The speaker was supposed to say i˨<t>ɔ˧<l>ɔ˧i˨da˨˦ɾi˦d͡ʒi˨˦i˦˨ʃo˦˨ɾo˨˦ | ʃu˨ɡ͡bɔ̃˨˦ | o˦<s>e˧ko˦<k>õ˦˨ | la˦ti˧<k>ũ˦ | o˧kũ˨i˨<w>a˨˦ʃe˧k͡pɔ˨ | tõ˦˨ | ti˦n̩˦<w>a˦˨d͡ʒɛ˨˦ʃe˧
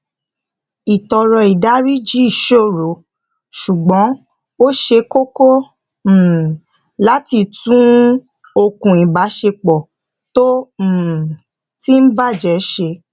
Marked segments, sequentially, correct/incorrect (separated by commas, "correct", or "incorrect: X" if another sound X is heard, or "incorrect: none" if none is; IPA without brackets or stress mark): correct, incorrect: ɾ, incorrect: ʃ, correct, incorrect: t, incorrect: b, incorrect: b